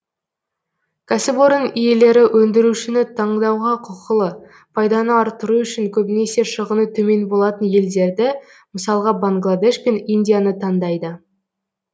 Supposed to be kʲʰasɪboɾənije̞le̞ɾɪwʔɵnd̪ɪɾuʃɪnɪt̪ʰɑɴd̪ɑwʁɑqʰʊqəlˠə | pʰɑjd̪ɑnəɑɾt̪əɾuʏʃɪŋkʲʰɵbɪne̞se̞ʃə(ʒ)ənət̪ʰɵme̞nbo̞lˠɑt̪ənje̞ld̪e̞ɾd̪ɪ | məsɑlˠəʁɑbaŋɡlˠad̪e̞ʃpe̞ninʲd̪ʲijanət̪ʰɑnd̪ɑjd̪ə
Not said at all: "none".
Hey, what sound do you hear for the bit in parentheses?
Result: ʁ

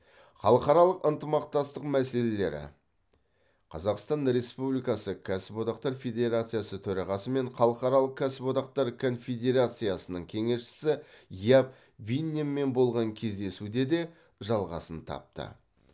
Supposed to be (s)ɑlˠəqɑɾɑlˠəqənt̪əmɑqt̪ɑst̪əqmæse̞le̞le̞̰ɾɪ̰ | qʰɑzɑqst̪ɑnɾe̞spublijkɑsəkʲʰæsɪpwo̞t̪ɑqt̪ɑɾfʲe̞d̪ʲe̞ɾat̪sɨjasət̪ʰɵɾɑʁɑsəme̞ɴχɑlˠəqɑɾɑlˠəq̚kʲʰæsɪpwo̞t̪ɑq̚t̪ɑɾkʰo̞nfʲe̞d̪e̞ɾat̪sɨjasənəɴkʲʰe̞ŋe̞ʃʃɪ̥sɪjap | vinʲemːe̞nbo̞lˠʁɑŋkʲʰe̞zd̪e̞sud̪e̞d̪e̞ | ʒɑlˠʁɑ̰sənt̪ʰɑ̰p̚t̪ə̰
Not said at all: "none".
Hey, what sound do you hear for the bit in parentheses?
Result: χ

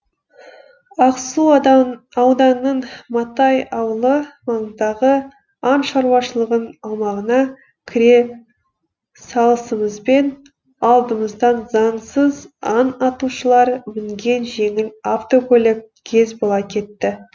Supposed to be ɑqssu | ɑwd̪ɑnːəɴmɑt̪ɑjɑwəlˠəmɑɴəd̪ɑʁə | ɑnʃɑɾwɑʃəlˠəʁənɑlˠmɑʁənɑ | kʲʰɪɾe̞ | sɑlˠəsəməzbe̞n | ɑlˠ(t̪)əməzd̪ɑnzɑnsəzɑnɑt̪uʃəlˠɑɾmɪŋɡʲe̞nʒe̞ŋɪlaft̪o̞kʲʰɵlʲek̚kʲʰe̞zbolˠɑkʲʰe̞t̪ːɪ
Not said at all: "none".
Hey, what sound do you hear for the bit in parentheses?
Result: d̪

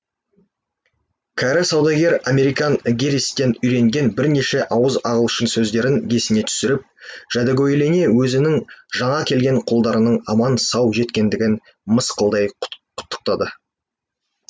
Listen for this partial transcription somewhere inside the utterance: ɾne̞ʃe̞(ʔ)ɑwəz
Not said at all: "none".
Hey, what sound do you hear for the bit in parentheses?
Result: ʔ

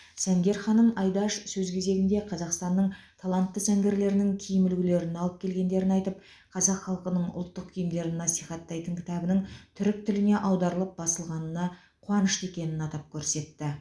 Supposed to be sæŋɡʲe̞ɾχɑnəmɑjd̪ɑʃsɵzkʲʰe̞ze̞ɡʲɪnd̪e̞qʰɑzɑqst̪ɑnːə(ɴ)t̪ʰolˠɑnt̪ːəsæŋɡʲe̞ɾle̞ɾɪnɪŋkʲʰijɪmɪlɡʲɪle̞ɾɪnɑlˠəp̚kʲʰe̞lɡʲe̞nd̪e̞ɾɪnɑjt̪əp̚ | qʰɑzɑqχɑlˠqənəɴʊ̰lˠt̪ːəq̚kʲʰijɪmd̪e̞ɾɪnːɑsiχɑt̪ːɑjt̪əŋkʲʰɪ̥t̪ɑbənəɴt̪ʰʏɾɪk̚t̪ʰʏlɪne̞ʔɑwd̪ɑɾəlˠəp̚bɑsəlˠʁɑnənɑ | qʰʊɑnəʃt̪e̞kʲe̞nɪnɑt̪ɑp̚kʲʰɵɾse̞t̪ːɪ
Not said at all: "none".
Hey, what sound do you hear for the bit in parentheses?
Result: ɴ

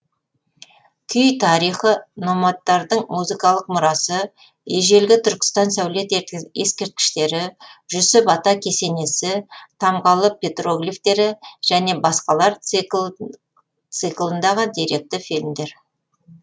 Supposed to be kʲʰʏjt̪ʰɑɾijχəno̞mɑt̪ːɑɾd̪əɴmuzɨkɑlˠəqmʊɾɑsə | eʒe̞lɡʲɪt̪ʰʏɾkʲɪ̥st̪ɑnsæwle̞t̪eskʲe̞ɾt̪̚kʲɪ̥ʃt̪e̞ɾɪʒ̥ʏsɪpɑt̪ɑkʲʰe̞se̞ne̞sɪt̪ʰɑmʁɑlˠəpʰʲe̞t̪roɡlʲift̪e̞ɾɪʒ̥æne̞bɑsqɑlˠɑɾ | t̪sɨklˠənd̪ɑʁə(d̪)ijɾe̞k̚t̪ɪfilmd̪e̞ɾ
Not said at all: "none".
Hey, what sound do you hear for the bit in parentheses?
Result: d̪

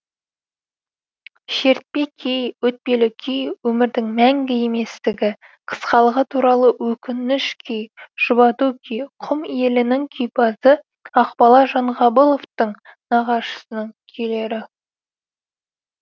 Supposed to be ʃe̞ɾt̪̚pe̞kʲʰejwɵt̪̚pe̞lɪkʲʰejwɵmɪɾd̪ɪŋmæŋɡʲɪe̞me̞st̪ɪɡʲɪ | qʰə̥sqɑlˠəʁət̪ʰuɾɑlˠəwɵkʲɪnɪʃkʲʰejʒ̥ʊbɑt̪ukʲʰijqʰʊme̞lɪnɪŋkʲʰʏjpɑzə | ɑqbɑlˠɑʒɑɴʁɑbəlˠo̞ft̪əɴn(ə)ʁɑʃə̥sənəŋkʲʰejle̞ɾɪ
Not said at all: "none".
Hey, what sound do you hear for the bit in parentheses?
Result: ɑ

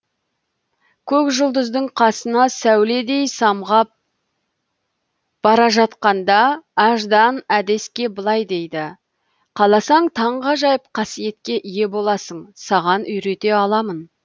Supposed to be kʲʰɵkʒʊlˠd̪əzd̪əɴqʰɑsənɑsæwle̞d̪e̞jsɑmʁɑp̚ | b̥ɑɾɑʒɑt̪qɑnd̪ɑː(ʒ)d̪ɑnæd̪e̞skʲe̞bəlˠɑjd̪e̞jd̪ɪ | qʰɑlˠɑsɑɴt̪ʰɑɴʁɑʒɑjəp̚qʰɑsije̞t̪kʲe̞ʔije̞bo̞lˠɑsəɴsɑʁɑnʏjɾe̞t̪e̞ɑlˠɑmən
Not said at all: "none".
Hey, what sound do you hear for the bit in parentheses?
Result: ʒ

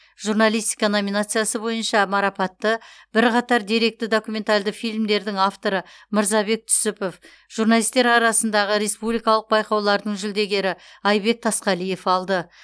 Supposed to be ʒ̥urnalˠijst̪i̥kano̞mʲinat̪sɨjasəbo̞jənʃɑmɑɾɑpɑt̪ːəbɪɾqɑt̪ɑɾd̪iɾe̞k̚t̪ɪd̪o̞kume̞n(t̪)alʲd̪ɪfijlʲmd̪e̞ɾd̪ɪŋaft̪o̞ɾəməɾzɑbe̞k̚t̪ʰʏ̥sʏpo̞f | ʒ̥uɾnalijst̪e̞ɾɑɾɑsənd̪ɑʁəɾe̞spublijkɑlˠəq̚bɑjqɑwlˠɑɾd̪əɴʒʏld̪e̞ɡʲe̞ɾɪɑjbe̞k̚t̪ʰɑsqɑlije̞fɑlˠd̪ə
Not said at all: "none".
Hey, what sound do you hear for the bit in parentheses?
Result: t̪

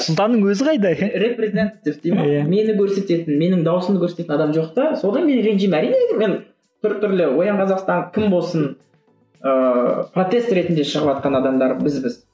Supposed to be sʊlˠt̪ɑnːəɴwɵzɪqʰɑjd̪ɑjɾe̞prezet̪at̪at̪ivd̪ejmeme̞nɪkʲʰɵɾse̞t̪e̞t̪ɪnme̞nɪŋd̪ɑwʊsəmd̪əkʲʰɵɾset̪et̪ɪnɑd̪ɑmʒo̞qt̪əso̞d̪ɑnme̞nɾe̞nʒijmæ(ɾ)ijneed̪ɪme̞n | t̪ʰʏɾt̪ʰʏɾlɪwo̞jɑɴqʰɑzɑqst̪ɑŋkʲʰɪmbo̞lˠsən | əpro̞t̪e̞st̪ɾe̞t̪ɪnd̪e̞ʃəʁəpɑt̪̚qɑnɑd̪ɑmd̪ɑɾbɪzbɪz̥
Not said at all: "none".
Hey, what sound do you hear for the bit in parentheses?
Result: ɾ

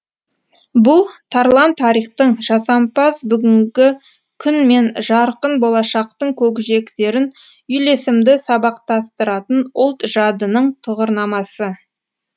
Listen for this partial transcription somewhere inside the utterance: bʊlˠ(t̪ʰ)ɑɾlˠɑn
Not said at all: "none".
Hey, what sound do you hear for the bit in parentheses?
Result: t̪ʰ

